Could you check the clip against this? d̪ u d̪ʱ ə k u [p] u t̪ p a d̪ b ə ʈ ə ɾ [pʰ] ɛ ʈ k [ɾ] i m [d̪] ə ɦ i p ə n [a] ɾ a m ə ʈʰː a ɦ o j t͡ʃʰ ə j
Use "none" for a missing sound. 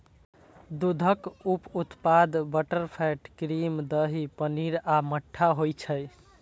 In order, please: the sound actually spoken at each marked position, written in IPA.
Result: p, pʰ, ɾ, d̪, i

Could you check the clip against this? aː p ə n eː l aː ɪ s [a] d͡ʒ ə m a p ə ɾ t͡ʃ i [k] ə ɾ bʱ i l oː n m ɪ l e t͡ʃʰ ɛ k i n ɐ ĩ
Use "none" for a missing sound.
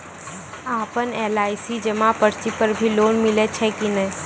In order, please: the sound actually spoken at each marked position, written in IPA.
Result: i, p

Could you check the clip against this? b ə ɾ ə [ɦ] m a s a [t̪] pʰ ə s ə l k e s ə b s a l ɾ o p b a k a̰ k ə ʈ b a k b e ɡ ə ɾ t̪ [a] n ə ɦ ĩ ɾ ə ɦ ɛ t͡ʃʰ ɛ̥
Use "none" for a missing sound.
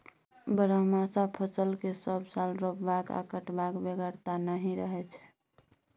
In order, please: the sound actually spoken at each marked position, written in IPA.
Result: ɦ, none, a

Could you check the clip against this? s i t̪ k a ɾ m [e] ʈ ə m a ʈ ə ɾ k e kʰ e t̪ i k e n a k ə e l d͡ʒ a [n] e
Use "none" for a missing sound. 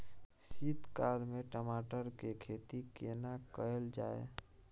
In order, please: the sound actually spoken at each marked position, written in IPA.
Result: e, none

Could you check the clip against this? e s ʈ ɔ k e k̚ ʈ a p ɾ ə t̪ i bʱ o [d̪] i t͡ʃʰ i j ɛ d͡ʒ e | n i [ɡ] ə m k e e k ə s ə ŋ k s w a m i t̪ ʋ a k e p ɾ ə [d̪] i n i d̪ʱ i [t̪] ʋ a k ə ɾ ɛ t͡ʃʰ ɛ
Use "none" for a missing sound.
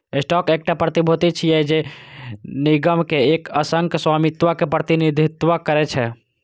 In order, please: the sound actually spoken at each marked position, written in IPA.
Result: t̪, ɡ, t̪, t̪

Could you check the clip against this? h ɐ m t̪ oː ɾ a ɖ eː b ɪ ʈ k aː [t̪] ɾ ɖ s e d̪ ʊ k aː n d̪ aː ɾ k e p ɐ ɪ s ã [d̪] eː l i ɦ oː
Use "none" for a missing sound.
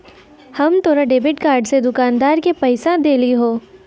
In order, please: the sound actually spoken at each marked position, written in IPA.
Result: none, d̪

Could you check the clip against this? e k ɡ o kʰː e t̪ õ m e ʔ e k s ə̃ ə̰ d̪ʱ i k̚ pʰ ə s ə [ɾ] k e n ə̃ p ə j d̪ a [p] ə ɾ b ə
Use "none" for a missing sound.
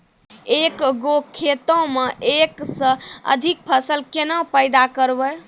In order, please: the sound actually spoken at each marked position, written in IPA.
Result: l, k

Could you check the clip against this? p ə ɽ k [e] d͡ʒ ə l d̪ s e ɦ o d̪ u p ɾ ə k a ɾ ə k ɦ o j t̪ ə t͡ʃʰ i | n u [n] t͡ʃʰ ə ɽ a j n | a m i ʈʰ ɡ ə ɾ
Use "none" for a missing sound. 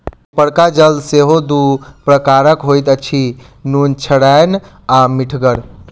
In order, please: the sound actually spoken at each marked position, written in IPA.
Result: a, n

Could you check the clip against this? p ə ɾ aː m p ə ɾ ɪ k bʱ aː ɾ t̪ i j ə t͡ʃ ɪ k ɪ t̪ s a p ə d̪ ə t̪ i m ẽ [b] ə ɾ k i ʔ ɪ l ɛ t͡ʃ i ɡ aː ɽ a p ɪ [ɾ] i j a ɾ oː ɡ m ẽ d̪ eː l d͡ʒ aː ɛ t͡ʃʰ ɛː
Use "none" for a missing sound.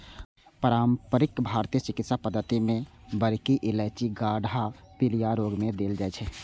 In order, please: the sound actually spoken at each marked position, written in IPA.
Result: b, l

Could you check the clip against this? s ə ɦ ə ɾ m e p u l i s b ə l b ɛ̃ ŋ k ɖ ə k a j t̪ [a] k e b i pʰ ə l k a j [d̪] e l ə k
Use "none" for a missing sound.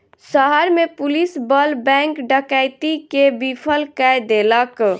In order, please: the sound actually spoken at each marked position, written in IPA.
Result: i, d̪

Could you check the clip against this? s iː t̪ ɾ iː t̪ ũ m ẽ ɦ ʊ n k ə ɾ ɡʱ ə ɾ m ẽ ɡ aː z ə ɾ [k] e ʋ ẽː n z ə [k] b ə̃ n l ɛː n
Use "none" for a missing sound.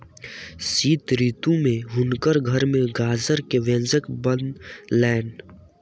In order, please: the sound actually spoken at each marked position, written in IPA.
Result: k, k

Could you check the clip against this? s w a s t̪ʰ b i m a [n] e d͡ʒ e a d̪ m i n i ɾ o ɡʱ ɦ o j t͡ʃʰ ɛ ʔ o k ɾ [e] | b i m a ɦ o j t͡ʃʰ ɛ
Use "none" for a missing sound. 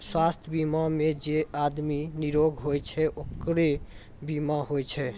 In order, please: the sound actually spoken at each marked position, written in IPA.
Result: m, e

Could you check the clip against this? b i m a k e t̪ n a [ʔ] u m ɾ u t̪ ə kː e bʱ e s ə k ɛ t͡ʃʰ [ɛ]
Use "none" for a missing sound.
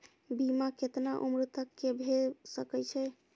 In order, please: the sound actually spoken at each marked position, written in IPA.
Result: ʔ, ɛ

